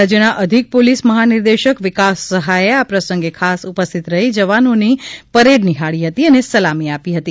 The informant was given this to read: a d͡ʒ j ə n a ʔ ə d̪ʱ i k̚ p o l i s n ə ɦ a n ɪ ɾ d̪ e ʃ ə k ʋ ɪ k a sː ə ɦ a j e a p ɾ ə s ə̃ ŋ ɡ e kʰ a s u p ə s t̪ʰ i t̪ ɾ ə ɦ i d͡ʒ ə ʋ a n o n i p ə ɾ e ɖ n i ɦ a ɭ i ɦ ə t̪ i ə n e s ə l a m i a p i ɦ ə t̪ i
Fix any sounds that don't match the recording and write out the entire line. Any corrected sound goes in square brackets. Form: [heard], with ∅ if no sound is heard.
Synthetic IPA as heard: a d͡ʒ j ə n a ʔ ə d̪ʱ i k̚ p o l i s [m] ə ɦ a n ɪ ɾ d̪ e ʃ ə k ʋ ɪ k a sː ə ɦ a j e a p ɾ ə s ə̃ ŋ ɡ e kʰ a s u p ə s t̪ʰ i t̪ ɾ ə ɦ i d͡ʒ ə ʋ a n o n i p ə ɾ e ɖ n i ɦ a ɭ i ɦ ə t̪ i ə n e s ə l a m i a p i ɦ ə t̪ i